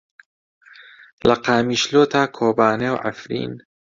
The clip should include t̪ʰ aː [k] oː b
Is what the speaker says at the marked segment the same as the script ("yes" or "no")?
no